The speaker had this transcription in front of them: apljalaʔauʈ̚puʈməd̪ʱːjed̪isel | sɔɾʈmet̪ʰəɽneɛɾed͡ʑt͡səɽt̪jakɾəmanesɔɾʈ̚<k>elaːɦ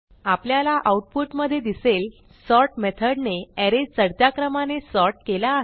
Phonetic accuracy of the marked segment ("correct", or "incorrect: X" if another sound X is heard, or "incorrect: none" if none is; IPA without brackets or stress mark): correct